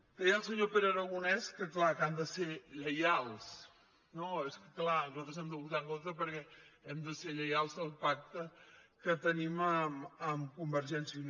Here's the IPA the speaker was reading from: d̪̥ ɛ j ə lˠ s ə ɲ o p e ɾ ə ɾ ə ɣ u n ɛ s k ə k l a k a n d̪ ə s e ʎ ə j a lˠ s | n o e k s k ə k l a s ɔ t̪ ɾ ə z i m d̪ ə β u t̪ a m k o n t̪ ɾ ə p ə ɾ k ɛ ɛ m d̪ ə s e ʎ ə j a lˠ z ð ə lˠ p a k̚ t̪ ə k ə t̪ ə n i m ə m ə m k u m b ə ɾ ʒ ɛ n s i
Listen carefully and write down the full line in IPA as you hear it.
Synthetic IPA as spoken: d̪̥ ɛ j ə lˠ s ə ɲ o p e ɾ ə ɾ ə ɣ u n ɛ s k ə k l a k a n d̪ ə s e ʎ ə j a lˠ s | n o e s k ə k l a z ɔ t̪ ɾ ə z ɛ m d̪ ə β u t̪ a ŋ k o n t̪ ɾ ə p ə ɾ k ɛ ɛ m d̪ ə s e ʎ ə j a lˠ z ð ə lˠ p a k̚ t̪ ə k ə t̪ ə n i m ə m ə m k u m b ə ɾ ʒ ɛ n s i